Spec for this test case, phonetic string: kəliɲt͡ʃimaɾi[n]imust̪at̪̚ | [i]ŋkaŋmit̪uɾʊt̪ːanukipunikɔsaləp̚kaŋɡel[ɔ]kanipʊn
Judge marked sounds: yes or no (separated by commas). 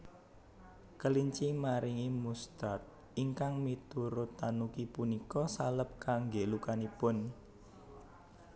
no, yes, no